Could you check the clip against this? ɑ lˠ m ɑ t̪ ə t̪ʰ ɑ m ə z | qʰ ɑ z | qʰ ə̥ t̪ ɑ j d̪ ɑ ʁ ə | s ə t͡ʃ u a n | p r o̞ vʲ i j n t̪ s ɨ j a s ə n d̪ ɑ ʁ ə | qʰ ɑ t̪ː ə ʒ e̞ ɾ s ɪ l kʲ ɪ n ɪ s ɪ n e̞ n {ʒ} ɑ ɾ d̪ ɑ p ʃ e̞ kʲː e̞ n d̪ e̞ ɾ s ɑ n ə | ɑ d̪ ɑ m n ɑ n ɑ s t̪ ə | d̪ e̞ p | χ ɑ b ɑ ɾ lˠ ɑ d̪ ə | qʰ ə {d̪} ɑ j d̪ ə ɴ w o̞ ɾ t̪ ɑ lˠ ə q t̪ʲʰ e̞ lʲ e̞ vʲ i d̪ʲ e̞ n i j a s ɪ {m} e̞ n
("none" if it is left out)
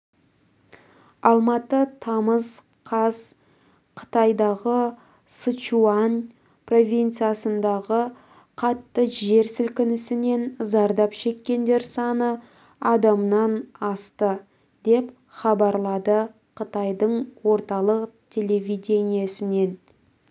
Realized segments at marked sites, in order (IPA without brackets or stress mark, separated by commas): z, t̪, n